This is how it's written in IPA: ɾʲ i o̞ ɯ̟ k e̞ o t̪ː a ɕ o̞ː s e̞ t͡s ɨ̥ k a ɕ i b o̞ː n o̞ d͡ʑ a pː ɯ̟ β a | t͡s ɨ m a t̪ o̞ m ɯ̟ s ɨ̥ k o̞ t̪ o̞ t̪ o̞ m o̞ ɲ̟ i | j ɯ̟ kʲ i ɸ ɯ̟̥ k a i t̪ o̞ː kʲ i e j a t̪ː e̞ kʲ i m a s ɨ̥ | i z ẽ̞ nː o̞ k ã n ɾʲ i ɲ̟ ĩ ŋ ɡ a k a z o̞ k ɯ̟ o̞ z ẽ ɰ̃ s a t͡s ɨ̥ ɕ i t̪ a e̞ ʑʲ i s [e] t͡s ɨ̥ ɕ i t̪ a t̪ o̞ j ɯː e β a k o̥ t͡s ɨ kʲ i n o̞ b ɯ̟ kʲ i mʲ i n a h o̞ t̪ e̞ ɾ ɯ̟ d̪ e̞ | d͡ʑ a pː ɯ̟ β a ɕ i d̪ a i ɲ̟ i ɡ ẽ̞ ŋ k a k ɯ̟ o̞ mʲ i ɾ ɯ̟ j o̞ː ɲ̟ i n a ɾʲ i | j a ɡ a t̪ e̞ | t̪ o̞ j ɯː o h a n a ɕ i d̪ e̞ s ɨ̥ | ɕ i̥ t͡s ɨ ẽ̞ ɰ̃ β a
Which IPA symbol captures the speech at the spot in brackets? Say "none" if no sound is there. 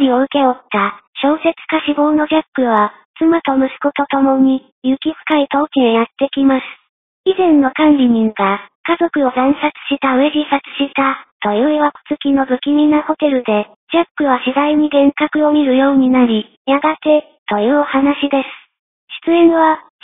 a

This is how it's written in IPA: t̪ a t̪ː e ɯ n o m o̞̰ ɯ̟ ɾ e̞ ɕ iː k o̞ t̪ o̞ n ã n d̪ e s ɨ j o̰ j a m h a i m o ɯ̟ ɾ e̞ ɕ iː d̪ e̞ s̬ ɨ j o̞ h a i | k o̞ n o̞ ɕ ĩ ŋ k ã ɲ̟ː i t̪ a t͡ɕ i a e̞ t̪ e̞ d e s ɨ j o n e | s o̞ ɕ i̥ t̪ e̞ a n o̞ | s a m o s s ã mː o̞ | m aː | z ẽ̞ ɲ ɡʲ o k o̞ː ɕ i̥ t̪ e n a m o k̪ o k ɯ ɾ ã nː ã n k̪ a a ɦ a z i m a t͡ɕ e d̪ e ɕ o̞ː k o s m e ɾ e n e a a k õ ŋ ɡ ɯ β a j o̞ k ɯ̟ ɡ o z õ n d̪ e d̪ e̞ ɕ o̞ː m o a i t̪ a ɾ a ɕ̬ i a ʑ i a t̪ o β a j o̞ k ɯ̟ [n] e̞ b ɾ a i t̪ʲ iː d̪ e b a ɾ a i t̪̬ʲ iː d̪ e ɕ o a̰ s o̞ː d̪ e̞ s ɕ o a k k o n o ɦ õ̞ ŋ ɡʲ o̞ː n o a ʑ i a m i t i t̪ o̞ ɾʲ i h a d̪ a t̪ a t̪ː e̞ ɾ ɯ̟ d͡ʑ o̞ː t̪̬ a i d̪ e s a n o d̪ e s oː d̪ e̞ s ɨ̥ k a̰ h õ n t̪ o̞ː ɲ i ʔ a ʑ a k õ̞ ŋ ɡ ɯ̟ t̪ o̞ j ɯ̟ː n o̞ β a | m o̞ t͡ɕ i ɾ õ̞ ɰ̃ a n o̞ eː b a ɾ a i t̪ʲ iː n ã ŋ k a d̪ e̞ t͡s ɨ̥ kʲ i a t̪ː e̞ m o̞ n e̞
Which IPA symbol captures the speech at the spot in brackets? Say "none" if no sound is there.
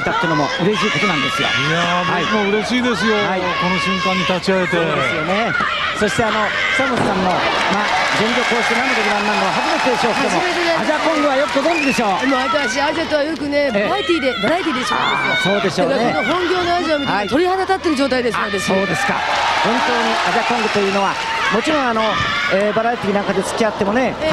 n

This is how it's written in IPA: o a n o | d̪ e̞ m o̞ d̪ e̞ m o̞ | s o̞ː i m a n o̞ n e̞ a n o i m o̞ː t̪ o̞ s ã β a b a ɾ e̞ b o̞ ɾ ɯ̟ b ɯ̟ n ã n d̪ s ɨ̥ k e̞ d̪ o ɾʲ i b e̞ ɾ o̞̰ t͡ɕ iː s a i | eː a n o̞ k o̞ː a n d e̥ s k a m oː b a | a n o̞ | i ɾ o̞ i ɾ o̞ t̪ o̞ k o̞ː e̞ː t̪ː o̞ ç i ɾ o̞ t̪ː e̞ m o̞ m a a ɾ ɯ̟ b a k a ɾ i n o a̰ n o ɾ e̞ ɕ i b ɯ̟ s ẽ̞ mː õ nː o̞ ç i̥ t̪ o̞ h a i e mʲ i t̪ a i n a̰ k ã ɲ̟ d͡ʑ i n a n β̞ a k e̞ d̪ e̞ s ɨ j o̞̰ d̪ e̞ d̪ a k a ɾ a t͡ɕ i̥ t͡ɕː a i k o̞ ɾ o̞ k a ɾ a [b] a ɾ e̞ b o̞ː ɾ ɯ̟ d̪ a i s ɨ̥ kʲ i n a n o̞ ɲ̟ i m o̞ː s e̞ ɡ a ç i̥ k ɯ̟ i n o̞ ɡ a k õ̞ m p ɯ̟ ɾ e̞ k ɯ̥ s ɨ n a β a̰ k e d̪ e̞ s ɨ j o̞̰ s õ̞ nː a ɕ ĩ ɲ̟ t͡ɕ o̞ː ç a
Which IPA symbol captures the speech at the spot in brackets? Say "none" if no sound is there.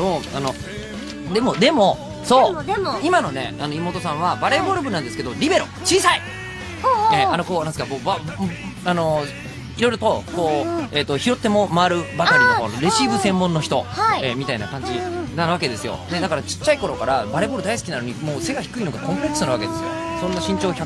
b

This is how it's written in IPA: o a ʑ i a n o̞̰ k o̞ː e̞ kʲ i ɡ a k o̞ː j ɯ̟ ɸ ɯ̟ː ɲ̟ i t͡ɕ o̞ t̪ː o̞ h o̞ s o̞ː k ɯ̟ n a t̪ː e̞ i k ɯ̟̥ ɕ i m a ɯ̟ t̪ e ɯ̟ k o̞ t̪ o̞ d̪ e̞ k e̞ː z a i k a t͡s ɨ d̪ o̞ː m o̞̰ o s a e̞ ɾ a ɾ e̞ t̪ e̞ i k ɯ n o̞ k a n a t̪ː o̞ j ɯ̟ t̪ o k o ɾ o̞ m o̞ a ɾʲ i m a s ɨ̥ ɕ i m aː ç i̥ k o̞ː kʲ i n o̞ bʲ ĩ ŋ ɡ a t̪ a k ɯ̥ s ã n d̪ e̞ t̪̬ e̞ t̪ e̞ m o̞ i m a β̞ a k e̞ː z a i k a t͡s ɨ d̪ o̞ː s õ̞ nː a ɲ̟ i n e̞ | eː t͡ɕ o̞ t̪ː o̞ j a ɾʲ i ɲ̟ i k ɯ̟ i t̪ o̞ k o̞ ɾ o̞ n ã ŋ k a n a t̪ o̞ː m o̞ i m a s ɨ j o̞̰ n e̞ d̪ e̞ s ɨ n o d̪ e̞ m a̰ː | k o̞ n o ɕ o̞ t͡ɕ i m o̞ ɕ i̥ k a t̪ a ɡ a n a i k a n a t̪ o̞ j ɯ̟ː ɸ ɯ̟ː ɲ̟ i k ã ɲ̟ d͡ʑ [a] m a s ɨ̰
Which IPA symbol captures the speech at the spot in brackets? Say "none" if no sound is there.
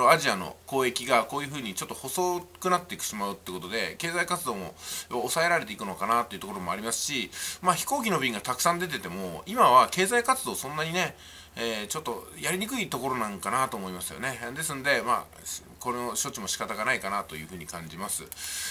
i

